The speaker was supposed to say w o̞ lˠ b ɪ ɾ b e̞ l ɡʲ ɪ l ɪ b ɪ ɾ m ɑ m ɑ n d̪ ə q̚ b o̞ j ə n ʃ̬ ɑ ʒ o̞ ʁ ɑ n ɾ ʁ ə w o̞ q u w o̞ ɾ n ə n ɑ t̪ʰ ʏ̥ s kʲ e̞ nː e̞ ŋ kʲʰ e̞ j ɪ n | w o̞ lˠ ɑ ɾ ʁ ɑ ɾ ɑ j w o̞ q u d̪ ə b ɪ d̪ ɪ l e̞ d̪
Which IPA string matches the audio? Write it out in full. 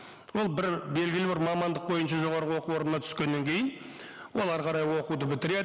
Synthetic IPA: w o̞ lˠ b ɪ ɾ b e̞ l ɡʲ ɪ l ɪ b ɪ ɾ m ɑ m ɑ n d̪ ə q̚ b o̞ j ə n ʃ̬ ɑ ʒ o̞ ʁ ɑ ɾ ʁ ə w o̞ q u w o̞ ɾ n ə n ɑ t̪ʰ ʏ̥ s kʲ e̞ nː e̞ ŋ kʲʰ e̞ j ɪ n | w o̞ lˠ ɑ ɾ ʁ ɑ ɾ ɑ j w o̞ q u d̪ ə b ɪ t̪ ɪ ɾ e̞ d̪